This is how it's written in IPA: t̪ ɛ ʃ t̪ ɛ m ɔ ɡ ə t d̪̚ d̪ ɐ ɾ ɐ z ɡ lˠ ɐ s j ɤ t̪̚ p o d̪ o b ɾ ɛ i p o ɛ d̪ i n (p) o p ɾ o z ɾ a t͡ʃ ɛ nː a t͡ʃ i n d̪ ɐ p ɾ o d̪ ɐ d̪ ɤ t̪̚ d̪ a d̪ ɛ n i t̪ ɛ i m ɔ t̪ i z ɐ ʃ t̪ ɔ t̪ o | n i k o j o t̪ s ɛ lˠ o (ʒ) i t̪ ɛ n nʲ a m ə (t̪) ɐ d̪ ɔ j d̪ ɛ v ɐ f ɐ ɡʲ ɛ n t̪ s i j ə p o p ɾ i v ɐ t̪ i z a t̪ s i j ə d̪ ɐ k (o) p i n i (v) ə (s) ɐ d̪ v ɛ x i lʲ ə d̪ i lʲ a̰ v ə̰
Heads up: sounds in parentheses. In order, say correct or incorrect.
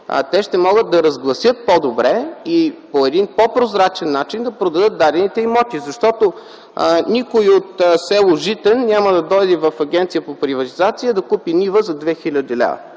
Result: correct, correct, incorrect: d̪, incorrect: u, correct, incorrect: z

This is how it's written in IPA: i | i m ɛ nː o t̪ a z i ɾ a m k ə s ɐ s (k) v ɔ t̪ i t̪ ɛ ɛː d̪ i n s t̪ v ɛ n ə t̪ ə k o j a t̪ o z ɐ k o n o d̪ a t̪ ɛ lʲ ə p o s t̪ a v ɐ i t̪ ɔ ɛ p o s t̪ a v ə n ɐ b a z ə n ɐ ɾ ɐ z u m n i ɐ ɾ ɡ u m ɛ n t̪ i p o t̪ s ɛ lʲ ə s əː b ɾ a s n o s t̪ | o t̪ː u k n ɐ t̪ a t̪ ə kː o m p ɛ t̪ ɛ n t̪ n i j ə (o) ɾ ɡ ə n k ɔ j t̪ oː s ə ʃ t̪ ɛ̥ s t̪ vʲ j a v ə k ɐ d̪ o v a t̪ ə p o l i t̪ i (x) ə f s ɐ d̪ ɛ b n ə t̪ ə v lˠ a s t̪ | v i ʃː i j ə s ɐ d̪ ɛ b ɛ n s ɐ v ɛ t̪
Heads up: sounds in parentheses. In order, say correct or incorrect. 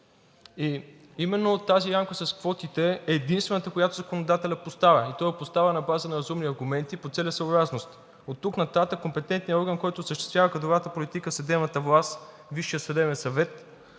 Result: correct, incorrect: ɔ, incorrect: k

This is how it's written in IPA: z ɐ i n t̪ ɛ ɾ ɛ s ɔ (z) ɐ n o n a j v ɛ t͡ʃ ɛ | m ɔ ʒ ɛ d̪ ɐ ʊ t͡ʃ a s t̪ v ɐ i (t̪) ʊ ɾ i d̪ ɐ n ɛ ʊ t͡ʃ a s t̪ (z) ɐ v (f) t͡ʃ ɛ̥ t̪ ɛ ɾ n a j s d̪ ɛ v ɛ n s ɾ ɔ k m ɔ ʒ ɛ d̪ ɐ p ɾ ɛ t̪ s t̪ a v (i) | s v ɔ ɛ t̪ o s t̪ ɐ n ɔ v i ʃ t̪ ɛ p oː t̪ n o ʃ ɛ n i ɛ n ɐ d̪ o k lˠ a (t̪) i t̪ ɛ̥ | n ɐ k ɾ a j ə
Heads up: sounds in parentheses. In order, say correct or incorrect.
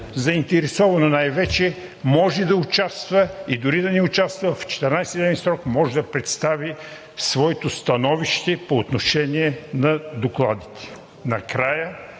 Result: incorrect: v, incorrect: d̪, incorrect: v, correct, correct, incorrect: d̪

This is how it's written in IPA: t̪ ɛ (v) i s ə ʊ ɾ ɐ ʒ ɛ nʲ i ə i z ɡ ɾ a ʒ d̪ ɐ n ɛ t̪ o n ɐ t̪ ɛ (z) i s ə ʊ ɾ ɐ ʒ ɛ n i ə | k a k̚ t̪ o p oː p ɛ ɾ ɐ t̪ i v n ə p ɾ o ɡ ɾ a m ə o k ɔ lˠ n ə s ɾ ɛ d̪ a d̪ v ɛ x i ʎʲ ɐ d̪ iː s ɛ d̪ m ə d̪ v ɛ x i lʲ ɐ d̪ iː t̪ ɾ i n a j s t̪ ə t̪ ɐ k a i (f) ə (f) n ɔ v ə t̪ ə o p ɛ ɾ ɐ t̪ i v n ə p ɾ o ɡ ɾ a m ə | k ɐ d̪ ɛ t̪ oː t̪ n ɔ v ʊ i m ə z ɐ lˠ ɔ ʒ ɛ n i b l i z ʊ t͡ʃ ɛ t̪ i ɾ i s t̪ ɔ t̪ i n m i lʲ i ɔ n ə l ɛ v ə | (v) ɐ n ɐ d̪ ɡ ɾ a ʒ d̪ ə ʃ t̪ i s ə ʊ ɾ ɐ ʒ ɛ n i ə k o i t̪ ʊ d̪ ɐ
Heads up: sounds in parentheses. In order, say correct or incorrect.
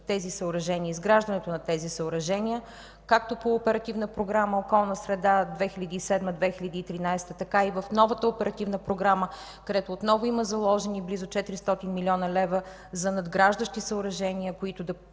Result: incorrect: z, correct, incorrect: v, correct, incorrect: z

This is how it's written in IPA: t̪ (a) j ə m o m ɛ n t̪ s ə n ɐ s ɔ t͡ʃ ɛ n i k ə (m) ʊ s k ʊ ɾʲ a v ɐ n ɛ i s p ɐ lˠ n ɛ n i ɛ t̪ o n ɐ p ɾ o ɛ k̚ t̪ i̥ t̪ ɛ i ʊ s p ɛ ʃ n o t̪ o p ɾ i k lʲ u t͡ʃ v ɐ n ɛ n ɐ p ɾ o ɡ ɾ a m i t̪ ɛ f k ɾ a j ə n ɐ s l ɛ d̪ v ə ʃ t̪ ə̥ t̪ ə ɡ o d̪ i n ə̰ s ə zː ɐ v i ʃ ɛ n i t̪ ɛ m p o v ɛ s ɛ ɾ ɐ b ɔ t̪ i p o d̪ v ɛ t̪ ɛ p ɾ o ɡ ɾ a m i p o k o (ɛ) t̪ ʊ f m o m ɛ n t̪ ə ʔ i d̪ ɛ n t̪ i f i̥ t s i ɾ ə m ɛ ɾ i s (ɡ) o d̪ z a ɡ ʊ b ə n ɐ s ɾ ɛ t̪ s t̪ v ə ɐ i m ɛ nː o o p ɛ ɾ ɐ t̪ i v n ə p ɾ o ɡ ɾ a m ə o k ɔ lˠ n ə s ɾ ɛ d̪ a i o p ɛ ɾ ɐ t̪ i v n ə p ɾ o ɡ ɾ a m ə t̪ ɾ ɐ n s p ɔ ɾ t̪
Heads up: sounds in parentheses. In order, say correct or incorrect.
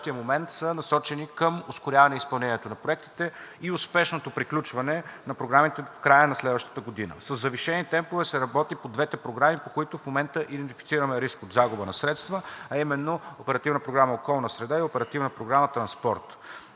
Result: incorrect: i, correct, incorrect: i, incorrect: k

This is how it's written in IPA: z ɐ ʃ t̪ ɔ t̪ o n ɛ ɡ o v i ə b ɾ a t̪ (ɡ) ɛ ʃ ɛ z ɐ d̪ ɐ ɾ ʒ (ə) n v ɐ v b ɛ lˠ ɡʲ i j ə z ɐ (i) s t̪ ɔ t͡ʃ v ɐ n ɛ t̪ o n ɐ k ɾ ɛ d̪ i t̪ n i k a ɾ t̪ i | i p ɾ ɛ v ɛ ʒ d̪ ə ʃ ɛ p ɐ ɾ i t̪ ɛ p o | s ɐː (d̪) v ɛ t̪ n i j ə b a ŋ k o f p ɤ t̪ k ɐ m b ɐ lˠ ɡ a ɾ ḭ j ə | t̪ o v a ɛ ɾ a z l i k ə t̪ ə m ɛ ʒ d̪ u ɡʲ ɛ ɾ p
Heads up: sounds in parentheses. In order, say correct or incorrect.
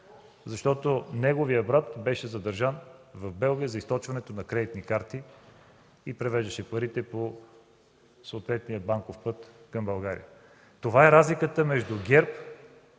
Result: incorrect: b, incorrect: a, correct, incorrect: t̪

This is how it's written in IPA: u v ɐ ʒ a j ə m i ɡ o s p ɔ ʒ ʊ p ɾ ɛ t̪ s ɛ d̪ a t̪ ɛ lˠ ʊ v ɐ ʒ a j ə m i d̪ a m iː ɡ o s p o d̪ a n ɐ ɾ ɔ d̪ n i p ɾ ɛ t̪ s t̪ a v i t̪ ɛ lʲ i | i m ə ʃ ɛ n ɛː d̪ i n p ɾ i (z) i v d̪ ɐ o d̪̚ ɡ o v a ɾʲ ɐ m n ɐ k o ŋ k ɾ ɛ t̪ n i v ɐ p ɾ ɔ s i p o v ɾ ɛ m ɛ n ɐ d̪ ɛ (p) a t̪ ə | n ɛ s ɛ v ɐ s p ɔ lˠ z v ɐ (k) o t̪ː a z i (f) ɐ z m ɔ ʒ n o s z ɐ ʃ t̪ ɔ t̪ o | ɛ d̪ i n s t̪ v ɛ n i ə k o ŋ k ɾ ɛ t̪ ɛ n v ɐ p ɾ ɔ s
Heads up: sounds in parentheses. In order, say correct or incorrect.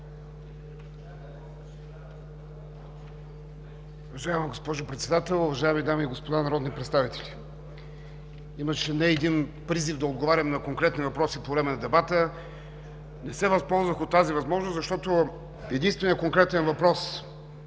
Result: correct, incorrect: b, incorrect: x, incorrect: v

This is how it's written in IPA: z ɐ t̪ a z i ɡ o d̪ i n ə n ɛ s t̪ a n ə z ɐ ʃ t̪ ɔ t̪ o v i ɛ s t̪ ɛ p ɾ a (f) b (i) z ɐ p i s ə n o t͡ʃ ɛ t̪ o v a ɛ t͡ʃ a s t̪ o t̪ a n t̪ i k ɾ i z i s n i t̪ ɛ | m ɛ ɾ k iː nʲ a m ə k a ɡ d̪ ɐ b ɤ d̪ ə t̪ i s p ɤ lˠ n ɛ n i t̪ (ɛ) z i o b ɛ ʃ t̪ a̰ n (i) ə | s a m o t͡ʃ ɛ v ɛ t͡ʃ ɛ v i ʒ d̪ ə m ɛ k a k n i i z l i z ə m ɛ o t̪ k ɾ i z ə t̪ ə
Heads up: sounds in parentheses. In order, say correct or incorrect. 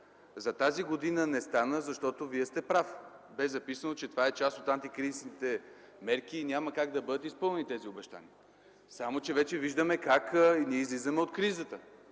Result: correct, incorrect: ɛ, correct, correct

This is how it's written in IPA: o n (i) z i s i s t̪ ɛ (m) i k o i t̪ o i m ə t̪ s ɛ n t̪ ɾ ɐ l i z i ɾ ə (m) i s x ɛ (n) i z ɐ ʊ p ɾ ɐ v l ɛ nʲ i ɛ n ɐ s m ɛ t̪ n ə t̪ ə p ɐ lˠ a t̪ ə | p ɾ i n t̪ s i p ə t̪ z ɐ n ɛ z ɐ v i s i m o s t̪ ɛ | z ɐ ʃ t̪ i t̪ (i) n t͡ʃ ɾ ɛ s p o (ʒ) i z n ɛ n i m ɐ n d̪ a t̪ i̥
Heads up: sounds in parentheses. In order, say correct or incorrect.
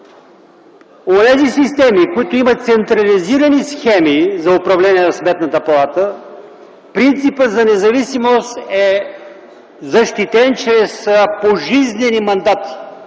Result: incorrect: ɛ, correct, incorrect: n, incorrect: m, incorrect: ɛ, correct

